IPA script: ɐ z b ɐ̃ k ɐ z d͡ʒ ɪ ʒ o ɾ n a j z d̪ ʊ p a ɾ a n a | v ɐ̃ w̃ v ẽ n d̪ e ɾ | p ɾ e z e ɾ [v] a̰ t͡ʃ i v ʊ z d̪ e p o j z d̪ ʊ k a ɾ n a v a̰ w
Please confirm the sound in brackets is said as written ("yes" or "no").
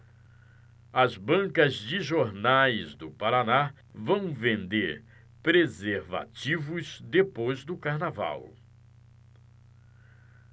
yes